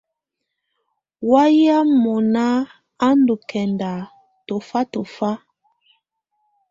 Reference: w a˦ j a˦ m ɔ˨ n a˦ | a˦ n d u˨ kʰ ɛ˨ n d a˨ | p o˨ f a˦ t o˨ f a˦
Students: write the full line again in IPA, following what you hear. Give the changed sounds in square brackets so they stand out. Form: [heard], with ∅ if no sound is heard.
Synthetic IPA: w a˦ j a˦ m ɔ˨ n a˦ | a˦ n d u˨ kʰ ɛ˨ n d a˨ | [t] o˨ f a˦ t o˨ f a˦